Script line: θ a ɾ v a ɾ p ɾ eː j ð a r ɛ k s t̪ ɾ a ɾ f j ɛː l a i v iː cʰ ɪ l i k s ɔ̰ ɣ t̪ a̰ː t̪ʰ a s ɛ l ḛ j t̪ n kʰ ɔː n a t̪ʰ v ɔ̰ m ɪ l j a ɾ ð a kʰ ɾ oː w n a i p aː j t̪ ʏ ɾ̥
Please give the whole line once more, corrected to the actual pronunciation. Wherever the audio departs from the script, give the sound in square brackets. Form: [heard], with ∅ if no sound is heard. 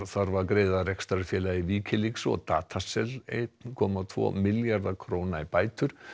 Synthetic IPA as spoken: θ a ɾ v a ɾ [k] ɾ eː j ð a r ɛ k s t̪ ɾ a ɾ f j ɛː l a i v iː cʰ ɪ l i k s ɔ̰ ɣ t̪ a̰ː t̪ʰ a s ɛ l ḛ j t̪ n kʰ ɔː [m] a t̪ʰ v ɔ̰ m ɪ l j a ɾ ð a kʰ ɾ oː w n a i p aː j t̪ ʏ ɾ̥